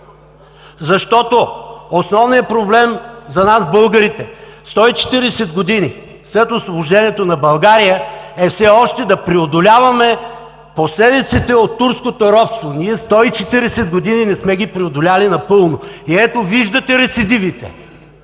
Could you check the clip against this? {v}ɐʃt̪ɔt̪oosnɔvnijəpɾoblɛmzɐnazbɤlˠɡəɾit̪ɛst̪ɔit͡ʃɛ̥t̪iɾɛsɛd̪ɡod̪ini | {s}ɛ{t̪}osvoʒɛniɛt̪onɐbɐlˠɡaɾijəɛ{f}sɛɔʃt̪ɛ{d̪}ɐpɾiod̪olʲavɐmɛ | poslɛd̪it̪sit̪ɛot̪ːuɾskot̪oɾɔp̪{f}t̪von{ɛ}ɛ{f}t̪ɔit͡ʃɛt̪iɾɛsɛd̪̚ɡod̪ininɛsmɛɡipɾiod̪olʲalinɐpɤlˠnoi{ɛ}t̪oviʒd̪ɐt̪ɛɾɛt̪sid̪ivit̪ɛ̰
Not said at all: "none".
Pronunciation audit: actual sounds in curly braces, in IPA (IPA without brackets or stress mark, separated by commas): z, s, t̪, f, d̪, s, i, s, ɛ